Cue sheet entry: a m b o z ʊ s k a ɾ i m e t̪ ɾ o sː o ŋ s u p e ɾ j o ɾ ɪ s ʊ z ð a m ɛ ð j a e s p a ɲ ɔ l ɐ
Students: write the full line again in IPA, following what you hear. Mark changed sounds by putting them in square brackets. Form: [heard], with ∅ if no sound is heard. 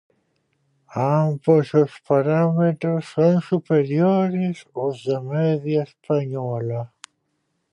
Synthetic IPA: a m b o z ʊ s [p] a ɾ [a] m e t̪ ɾ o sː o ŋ s u p e ɾ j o ɾ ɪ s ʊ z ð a m ɛ ð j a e s p a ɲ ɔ l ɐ